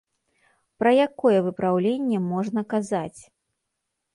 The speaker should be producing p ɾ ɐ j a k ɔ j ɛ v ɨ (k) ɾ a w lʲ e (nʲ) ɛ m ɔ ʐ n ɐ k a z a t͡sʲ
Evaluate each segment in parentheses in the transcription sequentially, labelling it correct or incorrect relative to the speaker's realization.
incorrect, incorrect

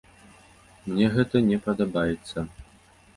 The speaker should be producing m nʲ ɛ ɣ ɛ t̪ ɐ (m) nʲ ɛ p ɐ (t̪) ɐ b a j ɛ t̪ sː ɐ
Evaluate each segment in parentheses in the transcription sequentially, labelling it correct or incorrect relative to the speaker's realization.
incorrect, incorrect

